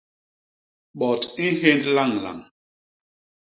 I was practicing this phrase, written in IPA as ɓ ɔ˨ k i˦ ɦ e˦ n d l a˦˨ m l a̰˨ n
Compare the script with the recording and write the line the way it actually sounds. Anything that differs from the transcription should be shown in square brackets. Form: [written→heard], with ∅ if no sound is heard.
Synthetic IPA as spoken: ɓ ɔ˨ [k→t] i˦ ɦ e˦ n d l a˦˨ [m→ŋ] l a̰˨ [n→ŋ]